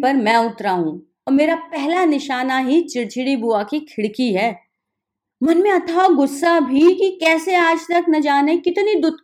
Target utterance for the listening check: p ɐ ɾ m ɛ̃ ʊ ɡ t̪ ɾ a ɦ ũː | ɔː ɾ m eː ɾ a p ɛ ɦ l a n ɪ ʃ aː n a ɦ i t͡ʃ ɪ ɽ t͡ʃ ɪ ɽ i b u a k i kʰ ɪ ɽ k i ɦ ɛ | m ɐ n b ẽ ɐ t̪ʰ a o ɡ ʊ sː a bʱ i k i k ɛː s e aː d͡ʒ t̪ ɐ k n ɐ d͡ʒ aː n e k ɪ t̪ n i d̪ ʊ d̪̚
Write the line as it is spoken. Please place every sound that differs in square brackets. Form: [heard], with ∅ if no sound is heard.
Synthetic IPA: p ɐ ɾ m ɛ̃ ʊ [∅] t̪ ɾ a ɦ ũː | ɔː ɾ m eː ɾ a p ɛ ɦ l a n ɪ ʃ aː n a ɦ i t͡ʃ ɪ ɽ t͡ʃ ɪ ɽ i b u a k i kʰ ɪ ɽ k i ɦ [ɛː] | m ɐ n [m] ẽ ɐ t̪ʰ a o ɡ ʊ sː a bʱ i k i k ɛː s e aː d͡ʒ t̪ ɐ k n ɐ d͡ʒ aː n e k ɪ t̪ n i d̪ ʊ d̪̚